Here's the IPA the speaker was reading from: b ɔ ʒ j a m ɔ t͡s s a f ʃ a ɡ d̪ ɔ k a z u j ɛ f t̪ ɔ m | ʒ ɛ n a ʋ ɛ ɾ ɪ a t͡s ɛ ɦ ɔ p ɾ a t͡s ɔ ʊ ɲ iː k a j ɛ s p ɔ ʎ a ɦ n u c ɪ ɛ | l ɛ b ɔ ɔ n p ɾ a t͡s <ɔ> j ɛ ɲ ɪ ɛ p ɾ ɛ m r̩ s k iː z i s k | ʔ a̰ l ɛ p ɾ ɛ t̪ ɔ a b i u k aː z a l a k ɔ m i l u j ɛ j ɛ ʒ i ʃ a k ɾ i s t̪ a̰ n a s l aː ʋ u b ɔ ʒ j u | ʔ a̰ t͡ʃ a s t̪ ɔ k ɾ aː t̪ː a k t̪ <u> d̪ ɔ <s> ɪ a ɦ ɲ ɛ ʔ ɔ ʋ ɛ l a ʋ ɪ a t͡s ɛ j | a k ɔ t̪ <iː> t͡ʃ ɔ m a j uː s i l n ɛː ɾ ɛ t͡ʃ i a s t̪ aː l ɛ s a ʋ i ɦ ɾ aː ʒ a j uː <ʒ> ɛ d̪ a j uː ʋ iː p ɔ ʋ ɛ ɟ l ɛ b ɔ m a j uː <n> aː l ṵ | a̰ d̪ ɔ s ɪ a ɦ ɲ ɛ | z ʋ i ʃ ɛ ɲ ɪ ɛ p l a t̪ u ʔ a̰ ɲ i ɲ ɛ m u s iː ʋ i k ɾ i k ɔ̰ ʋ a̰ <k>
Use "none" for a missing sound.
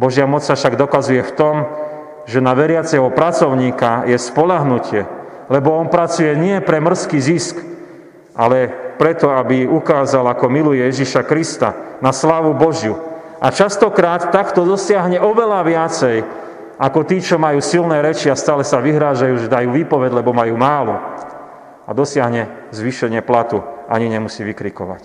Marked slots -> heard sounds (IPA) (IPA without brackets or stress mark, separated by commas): u, ɔ, s, iː, ʒ, m, c